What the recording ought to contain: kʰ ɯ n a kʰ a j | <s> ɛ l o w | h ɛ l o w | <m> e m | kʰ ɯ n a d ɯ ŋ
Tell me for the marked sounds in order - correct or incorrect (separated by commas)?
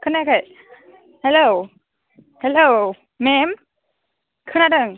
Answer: incorrect, correct